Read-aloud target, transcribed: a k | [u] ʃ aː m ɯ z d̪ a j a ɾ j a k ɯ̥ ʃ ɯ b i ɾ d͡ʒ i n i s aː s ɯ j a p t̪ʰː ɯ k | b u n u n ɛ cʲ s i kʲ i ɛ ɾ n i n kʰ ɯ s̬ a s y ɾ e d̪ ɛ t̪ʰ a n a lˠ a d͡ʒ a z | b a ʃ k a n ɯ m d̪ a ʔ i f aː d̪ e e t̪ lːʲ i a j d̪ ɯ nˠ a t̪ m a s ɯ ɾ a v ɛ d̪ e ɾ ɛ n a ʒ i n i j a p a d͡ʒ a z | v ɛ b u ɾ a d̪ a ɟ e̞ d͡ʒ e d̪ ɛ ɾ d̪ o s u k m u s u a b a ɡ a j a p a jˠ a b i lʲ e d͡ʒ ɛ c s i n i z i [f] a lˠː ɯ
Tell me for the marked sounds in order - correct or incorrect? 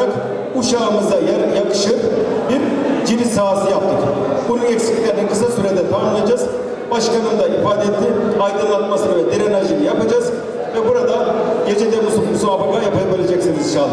correct, incorrect

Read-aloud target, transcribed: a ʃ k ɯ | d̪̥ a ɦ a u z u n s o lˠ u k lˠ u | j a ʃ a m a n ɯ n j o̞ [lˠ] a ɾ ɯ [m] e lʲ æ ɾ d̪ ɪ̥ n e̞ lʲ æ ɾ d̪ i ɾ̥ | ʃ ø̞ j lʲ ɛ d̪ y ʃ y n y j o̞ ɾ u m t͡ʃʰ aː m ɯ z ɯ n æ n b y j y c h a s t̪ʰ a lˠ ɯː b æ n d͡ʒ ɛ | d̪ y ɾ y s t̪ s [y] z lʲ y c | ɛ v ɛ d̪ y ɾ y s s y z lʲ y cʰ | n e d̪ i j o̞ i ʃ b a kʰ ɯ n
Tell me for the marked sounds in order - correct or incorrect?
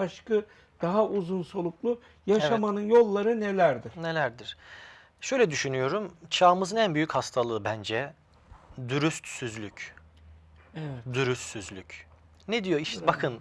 incorrect, incorrect, correct

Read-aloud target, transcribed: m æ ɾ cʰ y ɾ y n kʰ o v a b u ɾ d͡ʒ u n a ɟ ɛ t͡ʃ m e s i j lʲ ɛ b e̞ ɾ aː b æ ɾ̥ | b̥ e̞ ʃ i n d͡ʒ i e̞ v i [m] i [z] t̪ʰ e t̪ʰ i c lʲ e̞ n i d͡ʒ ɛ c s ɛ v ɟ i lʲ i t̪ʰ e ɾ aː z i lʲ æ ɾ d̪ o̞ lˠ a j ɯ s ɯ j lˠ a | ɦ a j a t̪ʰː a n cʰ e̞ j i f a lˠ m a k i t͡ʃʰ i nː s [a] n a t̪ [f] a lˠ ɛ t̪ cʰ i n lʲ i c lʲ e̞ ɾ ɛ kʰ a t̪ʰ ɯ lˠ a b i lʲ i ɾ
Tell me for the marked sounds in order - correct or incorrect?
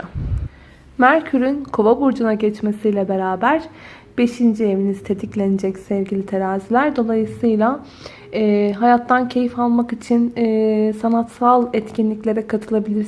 incorrect, correct, correct, incorrect

